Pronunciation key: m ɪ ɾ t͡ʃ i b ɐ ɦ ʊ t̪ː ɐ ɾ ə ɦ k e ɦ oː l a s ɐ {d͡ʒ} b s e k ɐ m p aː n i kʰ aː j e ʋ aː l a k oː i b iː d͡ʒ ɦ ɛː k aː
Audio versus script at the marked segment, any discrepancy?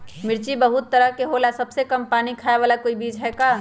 yes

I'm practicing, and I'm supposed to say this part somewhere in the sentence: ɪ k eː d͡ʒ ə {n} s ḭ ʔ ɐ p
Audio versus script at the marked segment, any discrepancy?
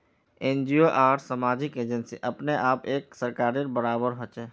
no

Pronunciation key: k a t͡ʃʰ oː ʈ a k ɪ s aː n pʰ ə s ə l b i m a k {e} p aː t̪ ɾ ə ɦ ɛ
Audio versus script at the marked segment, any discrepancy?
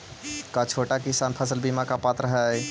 yes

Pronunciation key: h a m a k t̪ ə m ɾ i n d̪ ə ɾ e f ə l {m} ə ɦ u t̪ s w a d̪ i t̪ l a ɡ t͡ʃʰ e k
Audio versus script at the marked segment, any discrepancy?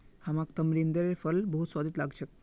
yes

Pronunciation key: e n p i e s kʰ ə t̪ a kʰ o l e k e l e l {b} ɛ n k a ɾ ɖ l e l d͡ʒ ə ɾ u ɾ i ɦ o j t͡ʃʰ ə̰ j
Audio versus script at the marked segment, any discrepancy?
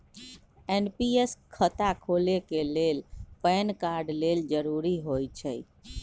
yes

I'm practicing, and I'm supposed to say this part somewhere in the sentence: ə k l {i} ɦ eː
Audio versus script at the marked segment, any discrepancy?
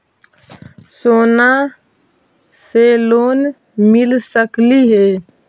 no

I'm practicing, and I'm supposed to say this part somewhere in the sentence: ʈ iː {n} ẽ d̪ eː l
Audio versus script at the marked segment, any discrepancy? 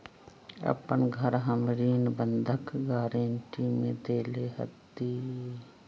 yes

